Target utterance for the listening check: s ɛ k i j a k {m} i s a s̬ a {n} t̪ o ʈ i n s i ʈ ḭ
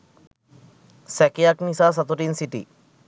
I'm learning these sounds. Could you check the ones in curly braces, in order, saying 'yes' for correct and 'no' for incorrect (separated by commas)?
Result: no, no